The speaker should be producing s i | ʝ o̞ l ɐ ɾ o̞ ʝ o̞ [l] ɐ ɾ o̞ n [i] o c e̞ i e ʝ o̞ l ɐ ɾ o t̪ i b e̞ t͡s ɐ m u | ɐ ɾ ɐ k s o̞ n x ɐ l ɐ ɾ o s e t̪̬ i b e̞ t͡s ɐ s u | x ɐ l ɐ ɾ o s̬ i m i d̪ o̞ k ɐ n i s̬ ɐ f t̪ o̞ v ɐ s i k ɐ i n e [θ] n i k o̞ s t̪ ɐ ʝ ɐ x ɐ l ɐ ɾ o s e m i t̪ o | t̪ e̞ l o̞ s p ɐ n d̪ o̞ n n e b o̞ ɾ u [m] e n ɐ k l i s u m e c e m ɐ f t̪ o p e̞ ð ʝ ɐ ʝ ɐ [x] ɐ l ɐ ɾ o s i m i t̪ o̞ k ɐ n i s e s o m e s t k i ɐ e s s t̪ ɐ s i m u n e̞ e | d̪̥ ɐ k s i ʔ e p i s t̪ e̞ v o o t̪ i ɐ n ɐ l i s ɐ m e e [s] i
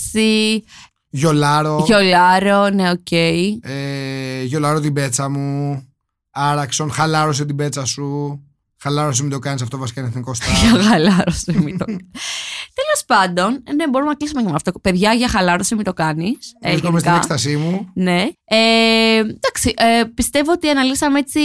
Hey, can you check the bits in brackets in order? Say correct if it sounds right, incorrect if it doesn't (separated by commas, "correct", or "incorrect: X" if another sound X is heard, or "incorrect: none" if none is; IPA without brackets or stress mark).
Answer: correct, incorrect: e, correct, correct, correct, incorrect: t͡s